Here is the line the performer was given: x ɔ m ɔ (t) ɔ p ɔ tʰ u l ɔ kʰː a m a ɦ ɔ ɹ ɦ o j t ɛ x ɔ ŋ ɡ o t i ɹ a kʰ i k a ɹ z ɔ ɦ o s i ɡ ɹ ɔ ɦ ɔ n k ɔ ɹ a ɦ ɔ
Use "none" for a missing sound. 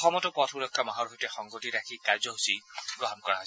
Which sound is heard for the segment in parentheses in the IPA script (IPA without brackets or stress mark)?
t